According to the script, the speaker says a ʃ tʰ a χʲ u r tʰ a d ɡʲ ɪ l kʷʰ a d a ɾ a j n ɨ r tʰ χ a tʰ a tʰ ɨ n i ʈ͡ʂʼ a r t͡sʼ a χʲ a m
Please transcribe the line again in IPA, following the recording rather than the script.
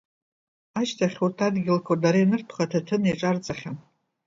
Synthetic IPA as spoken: a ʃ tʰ a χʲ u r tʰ a d ɡʲ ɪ l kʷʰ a d a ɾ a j n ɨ r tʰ χ a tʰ a tʰ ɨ n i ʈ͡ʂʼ a r t͡sʼ a χʲ a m

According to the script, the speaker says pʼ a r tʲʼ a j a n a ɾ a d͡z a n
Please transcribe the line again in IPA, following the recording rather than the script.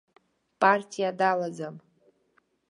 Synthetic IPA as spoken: pʼ a r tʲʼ i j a d a l a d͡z a m

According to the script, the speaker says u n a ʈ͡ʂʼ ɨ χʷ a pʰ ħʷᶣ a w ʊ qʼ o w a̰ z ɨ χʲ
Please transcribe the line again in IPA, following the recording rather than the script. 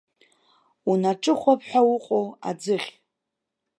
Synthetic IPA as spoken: u n a ʈ͡ʂʼ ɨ χʷ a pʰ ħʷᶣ a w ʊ qʼ o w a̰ d͡z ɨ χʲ

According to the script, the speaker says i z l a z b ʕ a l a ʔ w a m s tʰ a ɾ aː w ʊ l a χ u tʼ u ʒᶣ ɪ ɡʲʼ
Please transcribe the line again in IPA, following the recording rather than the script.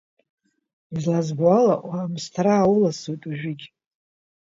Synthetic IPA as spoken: i z l a z b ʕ a l a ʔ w a m s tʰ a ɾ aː w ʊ l a s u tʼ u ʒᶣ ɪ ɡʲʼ

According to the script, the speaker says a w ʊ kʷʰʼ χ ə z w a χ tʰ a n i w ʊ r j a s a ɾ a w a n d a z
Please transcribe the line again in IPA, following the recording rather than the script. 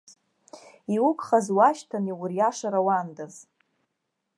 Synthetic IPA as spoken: i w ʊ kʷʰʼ χ a z w a ʃ tʰ a n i w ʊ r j a ʂ a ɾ a w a n d a z

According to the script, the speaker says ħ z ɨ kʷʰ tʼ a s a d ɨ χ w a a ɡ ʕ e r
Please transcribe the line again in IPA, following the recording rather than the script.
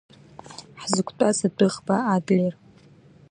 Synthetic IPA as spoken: ħ z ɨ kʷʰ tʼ a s a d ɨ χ b a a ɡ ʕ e r

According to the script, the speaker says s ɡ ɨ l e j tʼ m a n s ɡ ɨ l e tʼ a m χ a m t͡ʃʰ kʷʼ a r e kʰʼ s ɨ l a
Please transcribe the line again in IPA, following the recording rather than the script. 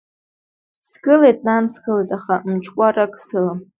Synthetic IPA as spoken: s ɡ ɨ l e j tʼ n a n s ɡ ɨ l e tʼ a χ a m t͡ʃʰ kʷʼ a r a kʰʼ s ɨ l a

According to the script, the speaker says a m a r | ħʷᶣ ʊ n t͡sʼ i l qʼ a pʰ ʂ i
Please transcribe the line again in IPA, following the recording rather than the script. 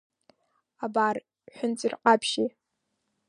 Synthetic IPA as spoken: a b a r | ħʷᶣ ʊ n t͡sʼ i r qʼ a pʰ ʃ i

